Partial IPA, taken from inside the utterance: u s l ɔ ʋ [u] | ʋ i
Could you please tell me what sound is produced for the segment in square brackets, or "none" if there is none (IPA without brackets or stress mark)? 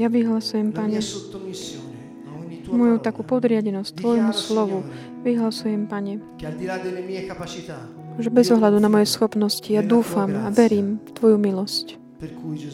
u